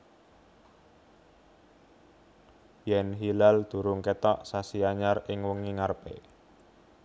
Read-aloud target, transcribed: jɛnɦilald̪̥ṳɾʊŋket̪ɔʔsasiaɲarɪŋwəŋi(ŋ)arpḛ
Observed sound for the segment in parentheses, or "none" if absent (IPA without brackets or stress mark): ŋ